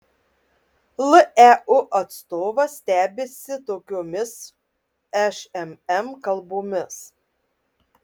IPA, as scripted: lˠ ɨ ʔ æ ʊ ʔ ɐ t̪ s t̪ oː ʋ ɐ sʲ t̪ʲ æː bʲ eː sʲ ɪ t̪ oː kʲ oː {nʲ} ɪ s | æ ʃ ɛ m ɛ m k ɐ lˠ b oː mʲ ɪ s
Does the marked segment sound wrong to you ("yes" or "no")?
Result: yes